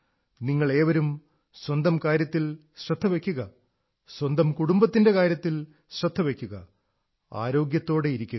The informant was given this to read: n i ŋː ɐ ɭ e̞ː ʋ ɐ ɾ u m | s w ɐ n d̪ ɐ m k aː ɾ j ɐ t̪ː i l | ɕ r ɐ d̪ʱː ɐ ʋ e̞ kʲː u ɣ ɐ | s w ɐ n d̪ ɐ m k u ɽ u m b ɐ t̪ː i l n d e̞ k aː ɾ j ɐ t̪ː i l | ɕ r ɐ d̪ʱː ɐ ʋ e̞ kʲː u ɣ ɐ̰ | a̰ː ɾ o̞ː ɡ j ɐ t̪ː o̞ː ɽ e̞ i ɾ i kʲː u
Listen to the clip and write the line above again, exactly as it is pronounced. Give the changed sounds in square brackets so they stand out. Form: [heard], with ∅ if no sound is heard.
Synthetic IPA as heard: n i ŋː ɐ ɭ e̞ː ʋ ɐ ɾ u m | s w ɐ n d̪ ɐ m k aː ɾ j ɐ t̪ː i l | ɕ r ɐ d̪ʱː ɐ ʋ e̞ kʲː u ɣ ɐ | s w ɐ n d̪ ɐ m k u ɽ u m b ɐ t̪ː i [∅] n d e̞ k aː ɾ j ɐ t̪ː i l | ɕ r ɐ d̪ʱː ɐ ʋ e̞ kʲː u ɣ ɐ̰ | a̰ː ɾ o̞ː ɡ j ɐ t̪ː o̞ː ɽ e̞ i ɾ i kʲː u